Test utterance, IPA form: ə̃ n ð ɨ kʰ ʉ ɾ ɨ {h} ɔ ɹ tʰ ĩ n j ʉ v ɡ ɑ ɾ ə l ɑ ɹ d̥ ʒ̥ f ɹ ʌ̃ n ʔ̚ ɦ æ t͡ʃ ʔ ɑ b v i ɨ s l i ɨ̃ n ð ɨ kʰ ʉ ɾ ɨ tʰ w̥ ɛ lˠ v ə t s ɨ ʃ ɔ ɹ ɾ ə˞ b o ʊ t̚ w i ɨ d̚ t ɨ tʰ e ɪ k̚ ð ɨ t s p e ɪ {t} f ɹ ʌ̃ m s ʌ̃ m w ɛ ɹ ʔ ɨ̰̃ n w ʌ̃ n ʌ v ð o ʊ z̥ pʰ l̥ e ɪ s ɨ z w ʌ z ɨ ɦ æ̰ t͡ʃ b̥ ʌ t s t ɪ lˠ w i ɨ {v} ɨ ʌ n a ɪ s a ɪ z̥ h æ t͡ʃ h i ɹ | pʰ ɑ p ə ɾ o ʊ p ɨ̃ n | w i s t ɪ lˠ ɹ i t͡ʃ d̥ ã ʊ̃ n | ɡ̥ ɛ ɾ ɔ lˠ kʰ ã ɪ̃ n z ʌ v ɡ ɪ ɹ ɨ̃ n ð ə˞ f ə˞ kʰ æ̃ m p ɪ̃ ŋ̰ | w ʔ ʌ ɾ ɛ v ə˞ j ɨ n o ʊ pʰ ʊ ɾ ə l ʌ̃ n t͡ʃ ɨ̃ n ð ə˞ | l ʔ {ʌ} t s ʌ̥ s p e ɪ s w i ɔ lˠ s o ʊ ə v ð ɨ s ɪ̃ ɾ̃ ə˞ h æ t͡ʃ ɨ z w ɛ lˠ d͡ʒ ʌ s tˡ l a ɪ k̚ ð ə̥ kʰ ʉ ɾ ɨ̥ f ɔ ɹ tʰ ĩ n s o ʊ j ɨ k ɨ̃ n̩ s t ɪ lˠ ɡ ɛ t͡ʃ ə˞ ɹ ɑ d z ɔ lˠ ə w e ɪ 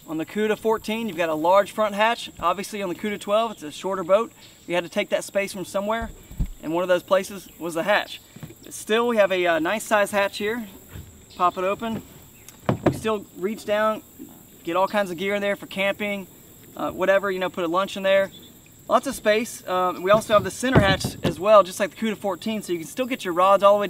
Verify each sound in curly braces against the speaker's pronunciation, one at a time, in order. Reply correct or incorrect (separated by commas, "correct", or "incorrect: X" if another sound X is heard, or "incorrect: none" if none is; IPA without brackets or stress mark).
incorrect: f, incorrect: s, correct, incorrect: ɑ